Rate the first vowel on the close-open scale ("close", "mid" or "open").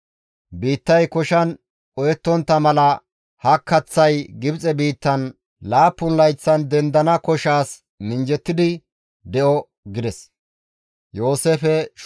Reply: close